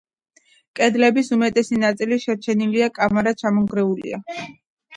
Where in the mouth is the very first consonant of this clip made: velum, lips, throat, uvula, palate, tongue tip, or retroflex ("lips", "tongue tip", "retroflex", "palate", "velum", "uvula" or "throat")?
velum